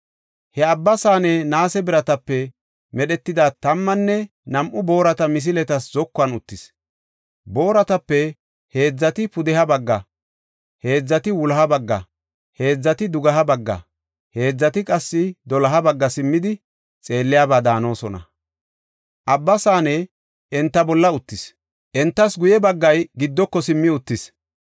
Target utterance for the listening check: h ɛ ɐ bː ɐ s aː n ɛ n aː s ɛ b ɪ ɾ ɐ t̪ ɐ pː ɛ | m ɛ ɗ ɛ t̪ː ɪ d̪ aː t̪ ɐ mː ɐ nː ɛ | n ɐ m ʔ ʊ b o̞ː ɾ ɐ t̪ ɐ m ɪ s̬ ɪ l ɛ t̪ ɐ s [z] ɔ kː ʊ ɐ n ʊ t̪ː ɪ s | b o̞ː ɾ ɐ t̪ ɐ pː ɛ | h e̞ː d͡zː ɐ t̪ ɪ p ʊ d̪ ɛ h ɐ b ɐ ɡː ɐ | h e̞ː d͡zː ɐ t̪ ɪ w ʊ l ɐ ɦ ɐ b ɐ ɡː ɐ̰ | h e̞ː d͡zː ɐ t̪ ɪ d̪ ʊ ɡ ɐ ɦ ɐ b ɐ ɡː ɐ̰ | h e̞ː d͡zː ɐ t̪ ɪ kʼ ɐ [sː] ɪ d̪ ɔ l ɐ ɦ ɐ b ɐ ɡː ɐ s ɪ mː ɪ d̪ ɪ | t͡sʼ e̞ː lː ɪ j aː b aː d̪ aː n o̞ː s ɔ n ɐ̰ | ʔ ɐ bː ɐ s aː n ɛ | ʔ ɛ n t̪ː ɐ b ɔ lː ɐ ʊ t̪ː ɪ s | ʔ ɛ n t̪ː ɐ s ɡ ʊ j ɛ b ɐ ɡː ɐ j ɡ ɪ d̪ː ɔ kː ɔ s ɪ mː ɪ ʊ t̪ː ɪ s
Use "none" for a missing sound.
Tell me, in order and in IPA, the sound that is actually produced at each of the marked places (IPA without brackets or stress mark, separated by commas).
z, sː